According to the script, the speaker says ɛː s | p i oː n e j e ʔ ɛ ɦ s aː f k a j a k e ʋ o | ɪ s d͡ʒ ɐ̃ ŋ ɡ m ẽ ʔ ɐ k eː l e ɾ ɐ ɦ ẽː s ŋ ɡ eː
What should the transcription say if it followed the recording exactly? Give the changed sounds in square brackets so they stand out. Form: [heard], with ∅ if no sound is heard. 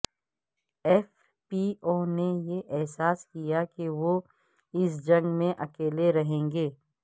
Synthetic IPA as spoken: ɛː [f] | p i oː n e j e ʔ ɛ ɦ s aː [s] k [i] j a k e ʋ o | ɪ s d͡ʒ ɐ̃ ŋ ɡ m ẽ ʔ ɐ k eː l e ɾ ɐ ɦ ẽː [∅] ŋ ɡ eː